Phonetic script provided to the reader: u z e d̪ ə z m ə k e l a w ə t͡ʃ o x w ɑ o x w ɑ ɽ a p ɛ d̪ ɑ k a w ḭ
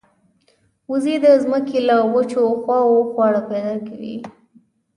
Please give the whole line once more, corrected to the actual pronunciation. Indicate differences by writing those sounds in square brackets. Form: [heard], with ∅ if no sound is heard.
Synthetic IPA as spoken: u z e d̪ ə z m ə k e l a w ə t͡ʃ o x w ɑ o x w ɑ ɽ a p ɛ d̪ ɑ k a w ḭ